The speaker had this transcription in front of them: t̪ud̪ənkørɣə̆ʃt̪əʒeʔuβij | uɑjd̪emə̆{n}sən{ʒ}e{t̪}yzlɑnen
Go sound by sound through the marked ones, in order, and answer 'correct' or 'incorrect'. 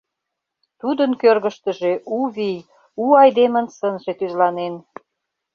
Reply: correct, correct, correct

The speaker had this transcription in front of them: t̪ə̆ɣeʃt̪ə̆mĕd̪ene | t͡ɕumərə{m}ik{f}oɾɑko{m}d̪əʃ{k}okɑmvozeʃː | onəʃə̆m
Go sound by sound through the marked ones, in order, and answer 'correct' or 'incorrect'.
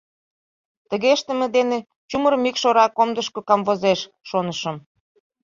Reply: correct, incorrect: ʃ, correct, correct

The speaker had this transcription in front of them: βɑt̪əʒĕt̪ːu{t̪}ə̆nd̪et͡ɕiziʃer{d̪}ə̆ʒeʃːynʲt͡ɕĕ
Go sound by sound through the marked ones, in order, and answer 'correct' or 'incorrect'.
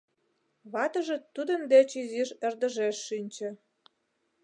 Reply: incorrect: d̪, correct

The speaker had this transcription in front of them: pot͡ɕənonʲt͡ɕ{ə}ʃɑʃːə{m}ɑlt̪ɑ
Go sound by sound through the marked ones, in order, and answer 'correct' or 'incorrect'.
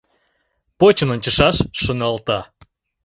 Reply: correct, incorrect: n

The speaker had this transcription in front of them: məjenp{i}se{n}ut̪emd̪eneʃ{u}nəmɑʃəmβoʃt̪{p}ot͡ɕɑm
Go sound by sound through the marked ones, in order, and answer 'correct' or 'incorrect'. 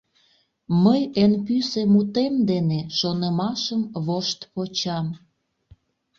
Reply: incorrect: y, incorrect: m, incorrect: o, correct

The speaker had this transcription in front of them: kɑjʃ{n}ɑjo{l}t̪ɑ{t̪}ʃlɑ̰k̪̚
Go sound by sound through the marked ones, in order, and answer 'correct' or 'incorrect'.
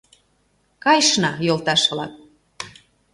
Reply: correct, correct, incorrect: none

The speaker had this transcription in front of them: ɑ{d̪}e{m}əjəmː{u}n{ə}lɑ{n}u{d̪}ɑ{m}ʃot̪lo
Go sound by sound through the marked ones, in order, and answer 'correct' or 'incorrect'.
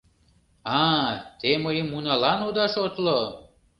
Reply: incorrect: t̪, correct, correct, incorrect: ɑ, correct, correct, incorrect: none

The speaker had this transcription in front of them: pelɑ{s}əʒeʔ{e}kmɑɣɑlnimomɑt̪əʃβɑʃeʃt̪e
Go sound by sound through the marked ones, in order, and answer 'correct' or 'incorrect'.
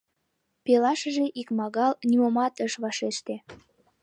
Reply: incorrect: ʃ, incorrect: i

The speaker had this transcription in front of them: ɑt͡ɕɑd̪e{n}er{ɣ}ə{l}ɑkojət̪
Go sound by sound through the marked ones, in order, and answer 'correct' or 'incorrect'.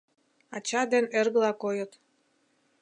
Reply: correct, correct, correct

